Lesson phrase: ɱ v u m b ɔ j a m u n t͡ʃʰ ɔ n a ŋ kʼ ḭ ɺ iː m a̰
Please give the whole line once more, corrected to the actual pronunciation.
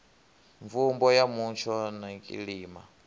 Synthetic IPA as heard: ɱ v u m b ɔ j a m u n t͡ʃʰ ɔ n a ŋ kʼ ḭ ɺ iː m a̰